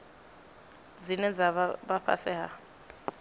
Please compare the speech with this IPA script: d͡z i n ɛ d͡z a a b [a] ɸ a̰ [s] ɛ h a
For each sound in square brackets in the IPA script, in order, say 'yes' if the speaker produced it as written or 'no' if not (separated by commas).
yes, yes